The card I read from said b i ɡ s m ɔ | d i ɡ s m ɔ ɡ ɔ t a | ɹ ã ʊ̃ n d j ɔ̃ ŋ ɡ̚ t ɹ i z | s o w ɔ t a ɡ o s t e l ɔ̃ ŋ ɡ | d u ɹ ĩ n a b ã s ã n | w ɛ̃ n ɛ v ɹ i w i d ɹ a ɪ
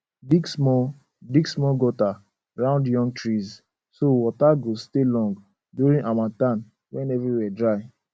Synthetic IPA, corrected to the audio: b i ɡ s m ɔ | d i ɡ s m ɔ ɡ ɔ t a | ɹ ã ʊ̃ n d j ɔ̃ ŋ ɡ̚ t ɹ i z | s o w ɔ t a ɡ o s t e l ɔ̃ ŋ ɡ | d u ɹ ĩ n a m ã t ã n | w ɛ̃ n ɛ v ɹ i w ɛ d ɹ a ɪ